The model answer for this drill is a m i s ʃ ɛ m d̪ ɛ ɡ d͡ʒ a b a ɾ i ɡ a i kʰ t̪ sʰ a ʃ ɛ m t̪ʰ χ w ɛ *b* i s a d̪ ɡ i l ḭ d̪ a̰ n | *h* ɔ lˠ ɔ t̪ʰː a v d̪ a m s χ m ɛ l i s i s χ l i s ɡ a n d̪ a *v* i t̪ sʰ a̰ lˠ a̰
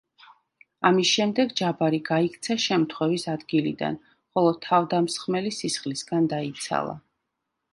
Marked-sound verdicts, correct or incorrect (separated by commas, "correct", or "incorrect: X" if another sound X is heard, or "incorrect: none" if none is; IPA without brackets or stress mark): incorrect: v, incorrect: χ, incorrect: none